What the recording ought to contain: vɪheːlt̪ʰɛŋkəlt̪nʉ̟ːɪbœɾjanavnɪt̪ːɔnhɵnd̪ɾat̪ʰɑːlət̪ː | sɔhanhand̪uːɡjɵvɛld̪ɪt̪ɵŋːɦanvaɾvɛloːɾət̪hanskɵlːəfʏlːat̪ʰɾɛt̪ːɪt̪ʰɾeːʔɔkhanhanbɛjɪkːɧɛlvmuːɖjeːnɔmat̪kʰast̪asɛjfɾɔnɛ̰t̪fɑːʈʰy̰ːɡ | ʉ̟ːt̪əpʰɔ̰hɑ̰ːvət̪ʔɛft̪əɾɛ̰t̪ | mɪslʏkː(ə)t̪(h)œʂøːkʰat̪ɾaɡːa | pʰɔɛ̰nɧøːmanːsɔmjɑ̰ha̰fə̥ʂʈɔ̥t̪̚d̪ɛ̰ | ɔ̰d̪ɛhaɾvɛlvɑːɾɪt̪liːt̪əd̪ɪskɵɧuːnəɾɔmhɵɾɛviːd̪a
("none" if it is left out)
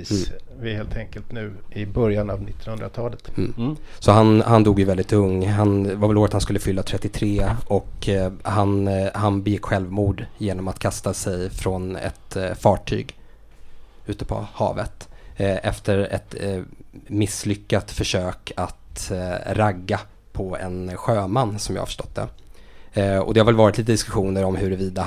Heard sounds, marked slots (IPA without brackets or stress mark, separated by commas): a, f